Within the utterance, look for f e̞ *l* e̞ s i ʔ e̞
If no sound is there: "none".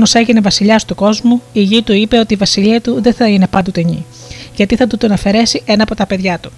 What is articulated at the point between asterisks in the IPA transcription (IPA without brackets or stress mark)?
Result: ɾ